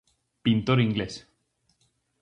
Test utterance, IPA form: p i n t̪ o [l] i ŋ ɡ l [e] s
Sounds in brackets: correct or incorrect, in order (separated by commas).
incorrect, correct